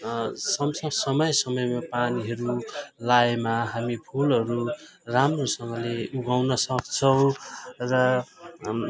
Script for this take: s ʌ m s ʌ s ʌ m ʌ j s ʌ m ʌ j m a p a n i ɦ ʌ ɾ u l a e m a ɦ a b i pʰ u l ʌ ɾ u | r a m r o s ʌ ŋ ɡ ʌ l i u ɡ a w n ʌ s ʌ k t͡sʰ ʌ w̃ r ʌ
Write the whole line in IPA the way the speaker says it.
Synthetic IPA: s ʌ m s ʌ s ʌ m ʌ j s ʌ m ʌ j m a p a n i ɦ ʌ ɾ u l a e m a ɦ a m i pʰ u l ʌ ɾ u | r a m r o s ʌ ŋ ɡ ʌ l e u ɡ a w n ʌ s ʌ k t͡sʰ ʌ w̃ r ʌ